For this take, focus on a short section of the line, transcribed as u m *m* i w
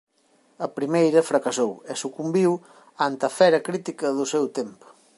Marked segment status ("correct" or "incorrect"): incorrect